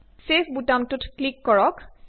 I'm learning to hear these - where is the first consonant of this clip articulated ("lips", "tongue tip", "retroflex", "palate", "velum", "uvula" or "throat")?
tongue tip